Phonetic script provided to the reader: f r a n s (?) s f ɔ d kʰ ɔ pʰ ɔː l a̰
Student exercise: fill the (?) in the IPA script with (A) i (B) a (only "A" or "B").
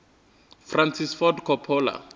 A